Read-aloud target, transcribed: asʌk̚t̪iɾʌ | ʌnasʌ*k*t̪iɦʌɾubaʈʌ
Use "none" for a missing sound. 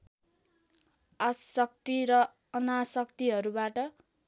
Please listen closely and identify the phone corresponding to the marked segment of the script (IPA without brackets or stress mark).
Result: k